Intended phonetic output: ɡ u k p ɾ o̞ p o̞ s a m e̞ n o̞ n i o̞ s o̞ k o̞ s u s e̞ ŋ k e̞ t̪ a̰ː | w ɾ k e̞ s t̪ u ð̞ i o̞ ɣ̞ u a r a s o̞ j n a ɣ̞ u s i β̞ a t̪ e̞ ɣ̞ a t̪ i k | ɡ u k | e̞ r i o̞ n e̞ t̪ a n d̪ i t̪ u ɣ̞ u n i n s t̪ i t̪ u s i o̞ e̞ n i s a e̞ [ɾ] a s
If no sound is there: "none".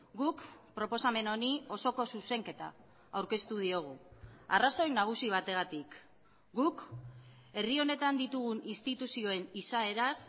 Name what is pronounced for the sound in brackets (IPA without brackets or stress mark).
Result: ɾ